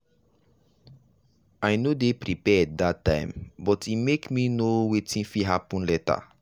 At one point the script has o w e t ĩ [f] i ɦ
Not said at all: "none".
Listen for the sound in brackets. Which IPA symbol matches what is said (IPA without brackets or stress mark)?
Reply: f